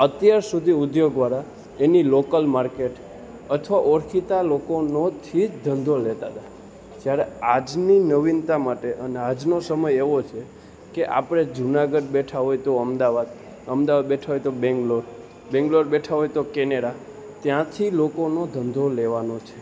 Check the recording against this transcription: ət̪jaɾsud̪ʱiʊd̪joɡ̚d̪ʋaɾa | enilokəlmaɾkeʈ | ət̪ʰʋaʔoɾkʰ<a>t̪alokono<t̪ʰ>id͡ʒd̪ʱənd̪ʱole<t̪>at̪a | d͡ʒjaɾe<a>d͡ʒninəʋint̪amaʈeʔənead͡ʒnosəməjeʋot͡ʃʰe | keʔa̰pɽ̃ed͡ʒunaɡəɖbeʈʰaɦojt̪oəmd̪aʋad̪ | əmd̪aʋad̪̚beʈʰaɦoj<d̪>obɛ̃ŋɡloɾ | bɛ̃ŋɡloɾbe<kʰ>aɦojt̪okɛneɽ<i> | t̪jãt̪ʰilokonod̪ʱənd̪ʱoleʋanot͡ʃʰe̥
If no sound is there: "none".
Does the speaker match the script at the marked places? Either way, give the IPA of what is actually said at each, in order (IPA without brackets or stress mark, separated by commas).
i, t̪ʰ, t̪, a, t̪, ʈʰ, a